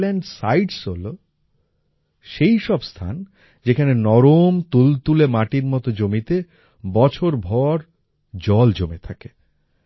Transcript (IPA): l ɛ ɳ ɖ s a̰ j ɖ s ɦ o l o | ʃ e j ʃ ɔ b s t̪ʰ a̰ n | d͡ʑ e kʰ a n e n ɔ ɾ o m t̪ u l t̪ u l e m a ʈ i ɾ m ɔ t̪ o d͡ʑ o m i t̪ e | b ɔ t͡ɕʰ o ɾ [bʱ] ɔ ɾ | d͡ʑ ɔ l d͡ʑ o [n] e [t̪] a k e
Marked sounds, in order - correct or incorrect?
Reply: correct, incorrect: m, incorrect: t̪ʰ

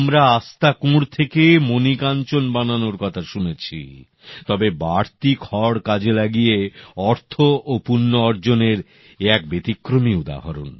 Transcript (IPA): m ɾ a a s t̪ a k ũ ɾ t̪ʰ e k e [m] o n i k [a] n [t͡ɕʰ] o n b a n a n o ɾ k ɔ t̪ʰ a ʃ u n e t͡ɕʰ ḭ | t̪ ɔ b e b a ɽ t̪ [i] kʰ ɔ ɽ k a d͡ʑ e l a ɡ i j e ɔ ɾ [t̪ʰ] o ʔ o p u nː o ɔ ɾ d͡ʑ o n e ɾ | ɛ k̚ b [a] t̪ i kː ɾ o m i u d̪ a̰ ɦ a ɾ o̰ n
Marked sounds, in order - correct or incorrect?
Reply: correct, correct, incorrect: t͡ɕ, correct, correct, incorrect: e

